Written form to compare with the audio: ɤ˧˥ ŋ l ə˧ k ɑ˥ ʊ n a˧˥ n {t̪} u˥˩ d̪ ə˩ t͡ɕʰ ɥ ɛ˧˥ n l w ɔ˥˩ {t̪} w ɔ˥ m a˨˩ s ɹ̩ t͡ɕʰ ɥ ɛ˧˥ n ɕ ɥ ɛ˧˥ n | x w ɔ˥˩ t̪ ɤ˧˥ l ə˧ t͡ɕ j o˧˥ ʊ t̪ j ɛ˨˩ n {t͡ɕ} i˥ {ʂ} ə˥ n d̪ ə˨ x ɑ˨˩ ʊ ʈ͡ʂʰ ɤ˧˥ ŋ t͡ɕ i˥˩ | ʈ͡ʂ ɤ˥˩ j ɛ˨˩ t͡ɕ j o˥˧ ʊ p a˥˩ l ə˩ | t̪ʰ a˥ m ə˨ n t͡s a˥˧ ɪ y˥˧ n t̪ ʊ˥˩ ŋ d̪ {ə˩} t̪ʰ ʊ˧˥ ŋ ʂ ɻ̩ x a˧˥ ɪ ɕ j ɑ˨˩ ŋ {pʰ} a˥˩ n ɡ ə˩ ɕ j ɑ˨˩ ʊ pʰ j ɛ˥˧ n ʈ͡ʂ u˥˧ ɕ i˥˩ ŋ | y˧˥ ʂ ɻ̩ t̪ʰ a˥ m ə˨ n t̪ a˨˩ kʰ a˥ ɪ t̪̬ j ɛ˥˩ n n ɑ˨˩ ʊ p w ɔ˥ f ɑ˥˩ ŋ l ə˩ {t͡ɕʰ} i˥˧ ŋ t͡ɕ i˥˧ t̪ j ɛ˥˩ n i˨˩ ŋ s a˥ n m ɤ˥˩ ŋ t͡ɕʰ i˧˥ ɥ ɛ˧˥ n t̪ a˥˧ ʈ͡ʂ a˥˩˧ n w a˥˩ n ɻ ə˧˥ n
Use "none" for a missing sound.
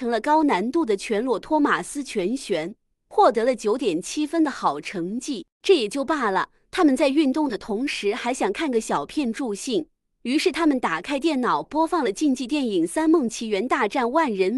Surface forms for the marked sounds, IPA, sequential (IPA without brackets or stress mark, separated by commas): t̪, t̪ʰ, t͡ɕʰ, f, ə˩, kʰ, t͡ɕ